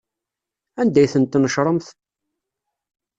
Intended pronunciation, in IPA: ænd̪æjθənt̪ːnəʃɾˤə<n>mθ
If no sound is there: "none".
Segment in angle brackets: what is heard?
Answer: none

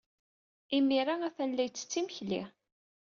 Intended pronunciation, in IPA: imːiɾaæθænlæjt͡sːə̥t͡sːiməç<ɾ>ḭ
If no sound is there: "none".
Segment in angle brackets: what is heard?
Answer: l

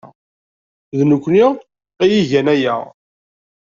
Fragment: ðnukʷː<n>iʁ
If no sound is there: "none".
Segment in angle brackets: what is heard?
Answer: n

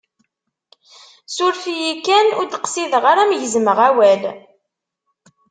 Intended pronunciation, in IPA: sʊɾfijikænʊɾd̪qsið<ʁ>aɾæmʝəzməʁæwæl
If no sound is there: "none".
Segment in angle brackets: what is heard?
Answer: ʁ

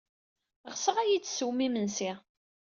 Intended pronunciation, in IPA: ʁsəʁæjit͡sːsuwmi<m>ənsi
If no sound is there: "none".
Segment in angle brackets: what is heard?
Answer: m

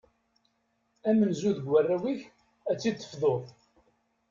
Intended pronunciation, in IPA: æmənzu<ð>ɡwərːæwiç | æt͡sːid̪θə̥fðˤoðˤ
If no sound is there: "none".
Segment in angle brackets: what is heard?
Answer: ð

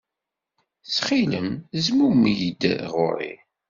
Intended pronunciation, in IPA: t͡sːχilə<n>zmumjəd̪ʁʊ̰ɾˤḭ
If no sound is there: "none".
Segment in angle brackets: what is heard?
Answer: m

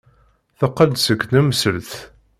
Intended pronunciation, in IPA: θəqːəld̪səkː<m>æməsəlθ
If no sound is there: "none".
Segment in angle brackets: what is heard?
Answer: n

